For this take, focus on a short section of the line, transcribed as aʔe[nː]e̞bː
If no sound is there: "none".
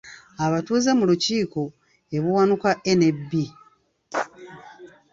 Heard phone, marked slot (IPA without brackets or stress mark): n